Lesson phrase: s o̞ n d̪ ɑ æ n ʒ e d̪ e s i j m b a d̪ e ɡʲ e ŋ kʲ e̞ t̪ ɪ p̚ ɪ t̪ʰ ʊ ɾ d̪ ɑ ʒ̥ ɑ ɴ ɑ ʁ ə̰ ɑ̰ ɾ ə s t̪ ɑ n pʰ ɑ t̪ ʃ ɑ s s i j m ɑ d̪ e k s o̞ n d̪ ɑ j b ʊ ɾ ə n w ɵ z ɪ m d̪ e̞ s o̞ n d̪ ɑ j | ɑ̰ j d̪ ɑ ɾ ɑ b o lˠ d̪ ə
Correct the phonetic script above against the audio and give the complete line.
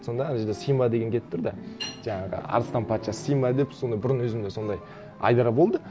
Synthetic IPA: s o̞ n d̪ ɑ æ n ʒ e d̪ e s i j m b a d̪ e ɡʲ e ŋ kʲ e̞ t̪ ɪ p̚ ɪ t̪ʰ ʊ ɾ d̪ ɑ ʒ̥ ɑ ɴ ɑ ʁ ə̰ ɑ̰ ɾ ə s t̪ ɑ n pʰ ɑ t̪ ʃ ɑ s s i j m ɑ d̪ e p s o̞ n d̪ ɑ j b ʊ ɾ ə n w ɵ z ɪ m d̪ e̞ s o̞ n d̪ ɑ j | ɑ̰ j d̪ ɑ ɾ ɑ b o lˠ d̪ ə